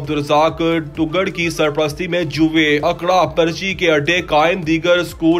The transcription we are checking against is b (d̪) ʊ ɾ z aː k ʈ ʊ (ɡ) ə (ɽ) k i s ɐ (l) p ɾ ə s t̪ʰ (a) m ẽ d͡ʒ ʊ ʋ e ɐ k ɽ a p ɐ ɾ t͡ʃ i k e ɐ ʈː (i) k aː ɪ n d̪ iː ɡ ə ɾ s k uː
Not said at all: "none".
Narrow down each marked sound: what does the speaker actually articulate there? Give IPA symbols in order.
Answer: d̪, ɡ, ɽ, ɾ, i, e

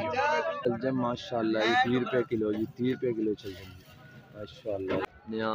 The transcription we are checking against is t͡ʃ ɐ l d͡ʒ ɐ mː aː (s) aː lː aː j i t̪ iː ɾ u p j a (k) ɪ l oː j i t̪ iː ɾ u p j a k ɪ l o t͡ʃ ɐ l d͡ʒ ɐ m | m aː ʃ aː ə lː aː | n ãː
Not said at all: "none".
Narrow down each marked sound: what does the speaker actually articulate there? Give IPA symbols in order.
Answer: ʃ, k

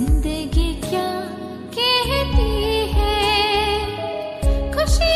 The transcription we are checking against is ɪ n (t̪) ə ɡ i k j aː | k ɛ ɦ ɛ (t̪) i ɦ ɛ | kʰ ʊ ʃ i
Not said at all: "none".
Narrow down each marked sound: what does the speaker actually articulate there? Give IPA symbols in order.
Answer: d̪, t̪

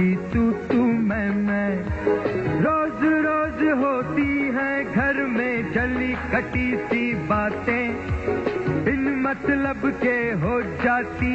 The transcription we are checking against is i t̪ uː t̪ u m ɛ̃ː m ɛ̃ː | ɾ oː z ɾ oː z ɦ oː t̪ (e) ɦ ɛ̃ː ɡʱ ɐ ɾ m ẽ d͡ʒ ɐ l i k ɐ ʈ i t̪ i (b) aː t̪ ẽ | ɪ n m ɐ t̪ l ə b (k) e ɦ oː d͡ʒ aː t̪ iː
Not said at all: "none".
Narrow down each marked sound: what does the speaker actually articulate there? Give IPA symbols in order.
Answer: i, b, k

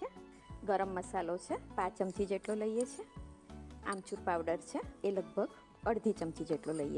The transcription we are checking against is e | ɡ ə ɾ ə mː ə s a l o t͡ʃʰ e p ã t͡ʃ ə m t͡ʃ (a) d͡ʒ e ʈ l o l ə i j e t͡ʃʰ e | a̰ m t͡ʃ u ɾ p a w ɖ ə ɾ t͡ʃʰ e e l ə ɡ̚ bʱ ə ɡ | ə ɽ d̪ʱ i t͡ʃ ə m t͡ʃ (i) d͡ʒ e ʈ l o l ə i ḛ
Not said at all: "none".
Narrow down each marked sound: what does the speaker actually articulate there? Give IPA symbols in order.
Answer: i, i

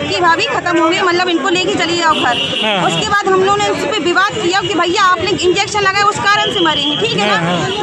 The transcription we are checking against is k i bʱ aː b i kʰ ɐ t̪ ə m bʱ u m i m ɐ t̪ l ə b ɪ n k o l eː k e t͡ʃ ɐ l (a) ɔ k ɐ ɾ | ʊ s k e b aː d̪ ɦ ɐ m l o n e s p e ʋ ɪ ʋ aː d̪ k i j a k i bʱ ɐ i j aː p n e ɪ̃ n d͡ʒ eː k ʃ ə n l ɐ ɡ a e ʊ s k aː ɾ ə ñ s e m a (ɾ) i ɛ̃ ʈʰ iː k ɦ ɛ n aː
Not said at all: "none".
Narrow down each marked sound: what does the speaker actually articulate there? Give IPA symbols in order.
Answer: i, ɾ

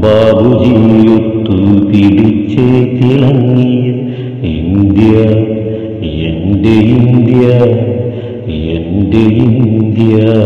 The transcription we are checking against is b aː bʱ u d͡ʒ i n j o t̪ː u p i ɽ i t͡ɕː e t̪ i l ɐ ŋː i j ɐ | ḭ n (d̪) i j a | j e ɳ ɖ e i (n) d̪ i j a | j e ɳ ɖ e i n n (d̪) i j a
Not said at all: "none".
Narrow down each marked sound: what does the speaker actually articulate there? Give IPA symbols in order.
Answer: d̪, n, d̪

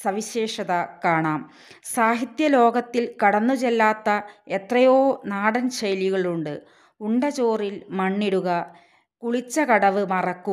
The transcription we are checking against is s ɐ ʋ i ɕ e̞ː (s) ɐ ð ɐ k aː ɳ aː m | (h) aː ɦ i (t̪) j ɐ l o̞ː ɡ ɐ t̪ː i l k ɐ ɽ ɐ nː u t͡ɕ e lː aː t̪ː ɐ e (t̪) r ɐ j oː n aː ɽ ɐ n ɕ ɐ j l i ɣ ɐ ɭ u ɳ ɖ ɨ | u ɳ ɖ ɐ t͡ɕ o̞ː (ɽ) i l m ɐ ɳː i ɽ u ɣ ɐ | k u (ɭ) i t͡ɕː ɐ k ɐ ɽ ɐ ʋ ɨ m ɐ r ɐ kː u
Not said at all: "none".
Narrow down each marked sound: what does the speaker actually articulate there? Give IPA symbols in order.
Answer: ʂ, s, t̪, t̪, r, ɭ

